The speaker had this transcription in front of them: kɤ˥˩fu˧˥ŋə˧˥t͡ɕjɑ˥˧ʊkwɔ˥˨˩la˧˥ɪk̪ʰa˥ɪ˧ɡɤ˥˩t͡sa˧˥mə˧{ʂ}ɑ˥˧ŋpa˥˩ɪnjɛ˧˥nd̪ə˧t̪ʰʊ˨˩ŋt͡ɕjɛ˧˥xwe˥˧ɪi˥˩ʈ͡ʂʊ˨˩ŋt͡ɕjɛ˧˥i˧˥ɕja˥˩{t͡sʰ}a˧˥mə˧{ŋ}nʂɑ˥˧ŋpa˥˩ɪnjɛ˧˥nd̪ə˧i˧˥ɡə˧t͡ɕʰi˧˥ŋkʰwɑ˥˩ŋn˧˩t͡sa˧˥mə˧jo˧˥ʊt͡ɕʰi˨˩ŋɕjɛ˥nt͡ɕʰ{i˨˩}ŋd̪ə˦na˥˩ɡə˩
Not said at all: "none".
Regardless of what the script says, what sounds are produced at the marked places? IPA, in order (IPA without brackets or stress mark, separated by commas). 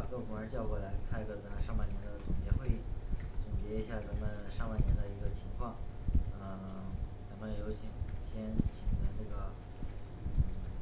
ʂ, t͡s, none, i˨˩